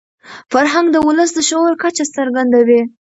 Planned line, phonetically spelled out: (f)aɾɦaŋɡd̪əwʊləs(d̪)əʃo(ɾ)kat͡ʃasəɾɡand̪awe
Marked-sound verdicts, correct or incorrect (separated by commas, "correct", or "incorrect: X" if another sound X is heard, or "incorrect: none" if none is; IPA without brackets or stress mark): correct, correct, correct